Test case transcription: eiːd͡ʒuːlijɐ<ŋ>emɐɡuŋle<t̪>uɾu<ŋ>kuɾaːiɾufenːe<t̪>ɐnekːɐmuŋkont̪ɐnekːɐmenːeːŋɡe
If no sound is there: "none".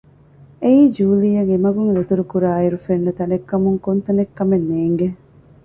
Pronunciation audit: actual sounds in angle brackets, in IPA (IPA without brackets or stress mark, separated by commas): ŋ, t̪, none, t̪